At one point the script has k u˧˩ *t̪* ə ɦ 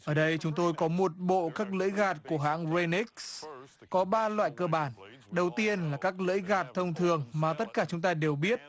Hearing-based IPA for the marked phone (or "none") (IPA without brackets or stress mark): none